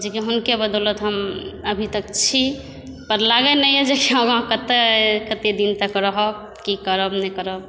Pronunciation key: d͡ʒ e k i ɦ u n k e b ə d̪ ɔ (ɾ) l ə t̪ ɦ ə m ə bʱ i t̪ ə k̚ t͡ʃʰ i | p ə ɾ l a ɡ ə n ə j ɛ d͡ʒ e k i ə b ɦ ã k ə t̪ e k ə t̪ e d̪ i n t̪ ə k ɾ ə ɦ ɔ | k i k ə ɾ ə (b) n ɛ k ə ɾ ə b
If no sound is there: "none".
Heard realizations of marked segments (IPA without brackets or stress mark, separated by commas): none, b